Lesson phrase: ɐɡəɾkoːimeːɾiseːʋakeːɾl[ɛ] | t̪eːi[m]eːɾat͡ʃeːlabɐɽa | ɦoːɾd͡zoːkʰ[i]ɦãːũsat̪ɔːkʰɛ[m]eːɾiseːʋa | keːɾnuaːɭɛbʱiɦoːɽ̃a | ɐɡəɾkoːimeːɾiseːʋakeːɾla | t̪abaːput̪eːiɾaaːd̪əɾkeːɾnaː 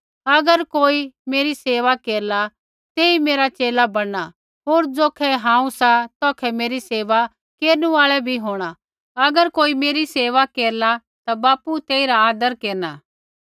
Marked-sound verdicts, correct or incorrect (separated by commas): incorrect, correct, incorrect, correct